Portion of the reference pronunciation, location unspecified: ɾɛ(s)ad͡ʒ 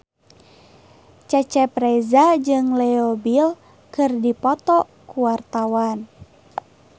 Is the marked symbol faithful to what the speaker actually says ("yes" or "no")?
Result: no